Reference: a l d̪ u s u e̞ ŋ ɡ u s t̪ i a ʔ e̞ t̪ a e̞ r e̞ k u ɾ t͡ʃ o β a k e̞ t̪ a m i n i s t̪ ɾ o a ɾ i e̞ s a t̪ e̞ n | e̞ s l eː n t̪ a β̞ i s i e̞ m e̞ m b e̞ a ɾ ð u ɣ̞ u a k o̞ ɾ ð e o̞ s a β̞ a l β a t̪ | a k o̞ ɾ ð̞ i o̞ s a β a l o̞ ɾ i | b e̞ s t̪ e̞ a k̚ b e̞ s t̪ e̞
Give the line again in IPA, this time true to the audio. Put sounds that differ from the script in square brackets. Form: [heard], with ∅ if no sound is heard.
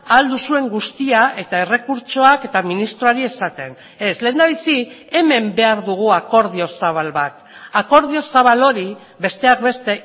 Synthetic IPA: a l d̪ u s u e̞ ŋ ɡ u s t̪ i a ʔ e̞ t̪ a e̞ r e̞ k u ɾ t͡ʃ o [∅] a k e̞ t̪ a m i n i s t̪ ɾ o a ɾ i e̞ s a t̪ e̞ n | e̞ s l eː n [d̪] a β̞ i s i e̞ m e̞ m b e̞ a ɾ ð u ɣ̞ u a k o̞ ɾ ð [i] o̞ s a β̞ a l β a t̪ | a k o̞ ɾ ð̞ i o̞ s a β a l o̞ ɾ i | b e̞ s t̪ e̞ a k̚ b e̞ s t̪ e̞